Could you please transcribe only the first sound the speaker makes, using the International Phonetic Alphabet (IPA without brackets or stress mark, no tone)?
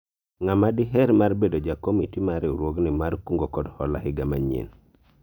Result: ŋ